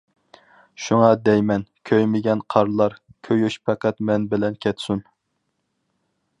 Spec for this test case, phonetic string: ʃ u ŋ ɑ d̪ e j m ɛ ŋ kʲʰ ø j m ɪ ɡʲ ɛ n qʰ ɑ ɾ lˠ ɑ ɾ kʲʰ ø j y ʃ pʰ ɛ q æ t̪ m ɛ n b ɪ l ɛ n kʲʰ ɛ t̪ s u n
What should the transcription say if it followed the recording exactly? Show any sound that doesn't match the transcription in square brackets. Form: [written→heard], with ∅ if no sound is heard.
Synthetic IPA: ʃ u ŋ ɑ d̪ [e→ɛ] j m ɛ [ŋ→n] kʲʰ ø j m ɪ ɡʲ ɛ n qʰ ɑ ɾ lˠ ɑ ɾ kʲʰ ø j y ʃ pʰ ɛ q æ t̪ m ɛ n b ɪ l ɛ n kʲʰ ɛ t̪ s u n